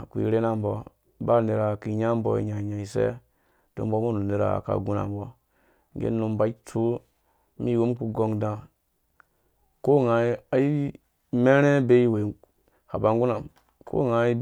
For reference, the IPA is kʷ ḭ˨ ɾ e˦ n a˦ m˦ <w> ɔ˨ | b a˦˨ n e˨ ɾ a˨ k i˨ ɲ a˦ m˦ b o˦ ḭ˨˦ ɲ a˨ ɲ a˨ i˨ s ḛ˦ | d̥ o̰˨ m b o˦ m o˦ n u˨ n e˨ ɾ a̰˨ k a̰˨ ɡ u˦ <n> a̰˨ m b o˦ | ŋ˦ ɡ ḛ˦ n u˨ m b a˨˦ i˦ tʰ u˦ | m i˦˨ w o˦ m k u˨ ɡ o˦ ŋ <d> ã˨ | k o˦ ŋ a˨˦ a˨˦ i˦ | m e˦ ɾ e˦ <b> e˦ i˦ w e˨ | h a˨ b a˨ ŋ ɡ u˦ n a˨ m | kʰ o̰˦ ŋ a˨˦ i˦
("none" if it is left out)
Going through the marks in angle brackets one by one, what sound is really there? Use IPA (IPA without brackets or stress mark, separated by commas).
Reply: b, n, d, b